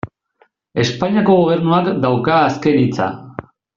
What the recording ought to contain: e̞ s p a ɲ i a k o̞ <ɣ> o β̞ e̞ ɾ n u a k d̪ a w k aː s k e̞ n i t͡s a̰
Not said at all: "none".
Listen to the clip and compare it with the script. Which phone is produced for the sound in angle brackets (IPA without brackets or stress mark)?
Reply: ɣ